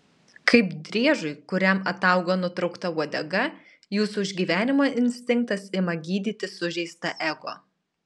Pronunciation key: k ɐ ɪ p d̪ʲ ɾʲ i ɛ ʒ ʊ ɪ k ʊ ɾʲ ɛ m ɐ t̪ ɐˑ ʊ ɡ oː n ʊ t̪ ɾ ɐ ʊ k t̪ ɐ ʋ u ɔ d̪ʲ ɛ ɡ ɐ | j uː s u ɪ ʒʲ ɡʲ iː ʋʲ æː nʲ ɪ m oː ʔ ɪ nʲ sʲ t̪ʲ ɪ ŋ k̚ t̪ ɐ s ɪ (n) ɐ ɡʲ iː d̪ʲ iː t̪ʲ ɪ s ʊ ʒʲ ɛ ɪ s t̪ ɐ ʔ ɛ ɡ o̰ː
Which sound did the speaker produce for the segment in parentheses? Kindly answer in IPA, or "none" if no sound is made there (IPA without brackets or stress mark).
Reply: m